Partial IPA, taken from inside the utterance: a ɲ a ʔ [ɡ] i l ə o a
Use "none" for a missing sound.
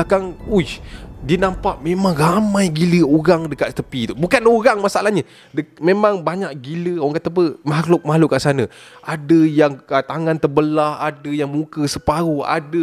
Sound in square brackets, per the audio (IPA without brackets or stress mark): ɡ